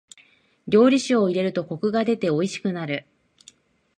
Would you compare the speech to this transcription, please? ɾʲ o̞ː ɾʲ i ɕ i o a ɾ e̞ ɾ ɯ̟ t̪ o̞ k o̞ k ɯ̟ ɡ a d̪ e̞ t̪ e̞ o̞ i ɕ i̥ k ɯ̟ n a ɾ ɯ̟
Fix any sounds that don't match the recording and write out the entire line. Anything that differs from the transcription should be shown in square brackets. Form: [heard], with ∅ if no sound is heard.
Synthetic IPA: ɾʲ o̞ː ɾʲ i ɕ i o [i] ɾ e̞ ɾ ɯ̟ t̪ o̞ k o̞ k ɯ̟ ɡ a d̪ e̞ t̪ e̞ o̞ i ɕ i̥ k ɯ̟ n a ɾ ɯ̟